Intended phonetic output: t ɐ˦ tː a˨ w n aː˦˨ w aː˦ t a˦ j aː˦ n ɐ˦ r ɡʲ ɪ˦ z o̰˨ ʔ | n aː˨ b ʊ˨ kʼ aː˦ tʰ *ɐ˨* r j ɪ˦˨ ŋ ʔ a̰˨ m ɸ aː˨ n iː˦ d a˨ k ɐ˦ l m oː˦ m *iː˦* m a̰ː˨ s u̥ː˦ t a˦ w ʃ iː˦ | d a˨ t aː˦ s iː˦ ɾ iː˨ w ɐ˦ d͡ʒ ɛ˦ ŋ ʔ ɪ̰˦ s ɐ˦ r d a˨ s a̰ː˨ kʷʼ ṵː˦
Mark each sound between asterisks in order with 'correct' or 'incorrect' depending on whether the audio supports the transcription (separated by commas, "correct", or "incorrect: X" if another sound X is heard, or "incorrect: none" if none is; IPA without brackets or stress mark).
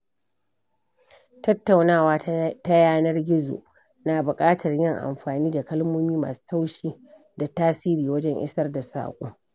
correct, correct